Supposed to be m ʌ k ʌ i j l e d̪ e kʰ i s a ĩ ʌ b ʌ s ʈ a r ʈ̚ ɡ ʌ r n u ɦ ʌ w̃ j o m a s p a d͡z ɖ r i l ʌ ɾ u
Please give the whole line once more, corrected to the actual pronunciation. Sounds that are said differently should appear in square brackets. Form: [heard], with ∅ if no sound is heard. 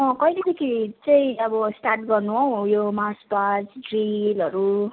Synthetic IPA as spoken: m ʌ k ʌ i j l e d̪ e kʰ i [t͡s] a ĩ ʌ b ʌ s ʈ a r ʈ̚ ɡ ʌ r n u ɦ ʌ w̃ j o m a s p a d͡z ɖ r i l ʌ ɾ u